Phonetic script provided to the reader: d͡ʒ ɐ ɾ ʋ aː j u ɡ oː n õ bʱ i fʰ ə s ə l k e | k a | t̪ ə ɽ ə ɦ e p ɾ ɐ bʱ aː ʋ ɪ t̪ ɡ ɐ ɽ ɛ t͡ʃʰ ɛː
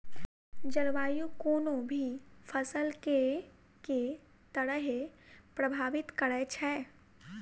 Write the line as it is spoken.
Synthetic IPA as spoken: d͡ʒ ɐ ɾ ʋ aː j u k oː n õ bʱ i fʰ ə s ə l k e | k e | t̪ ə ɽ ə ɦ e p ɾ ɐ bʱ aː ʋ ɪ t̪ k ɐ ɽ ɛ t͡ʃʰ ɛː